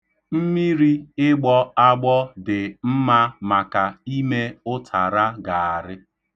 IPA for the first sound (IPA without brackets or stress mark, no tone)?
m̩